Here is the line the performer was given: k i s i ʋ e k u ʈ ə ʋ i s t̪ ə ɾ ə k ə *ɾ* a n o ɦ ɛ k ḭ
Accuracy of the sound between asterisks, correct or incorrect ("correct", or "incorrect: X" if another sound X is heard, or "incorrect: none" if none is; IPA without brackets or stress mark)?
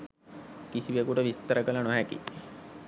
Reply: incorrect: l